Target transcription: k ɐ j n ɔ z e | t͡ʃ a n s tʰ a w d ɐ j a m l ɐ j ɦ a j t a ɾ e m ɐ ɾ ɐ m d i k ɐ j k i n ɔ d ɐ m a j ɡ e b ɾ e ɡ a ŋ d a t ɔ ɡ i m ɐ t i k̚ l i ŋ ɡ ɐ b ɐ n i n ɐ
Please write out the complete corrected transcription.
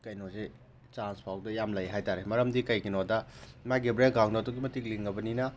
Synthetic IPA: k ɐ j n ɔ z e | t͡ʃ a n s pʰ a w d ɐ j a m l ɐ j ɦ a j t a ɾ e m ɐ ɾ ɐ m d i k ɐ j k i n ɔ d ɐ m a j ɡ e b ɾ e ɡ a ŋ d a t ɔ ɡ i m ɐ t i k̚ l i ŋ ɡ ɐ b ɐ n i n ɐ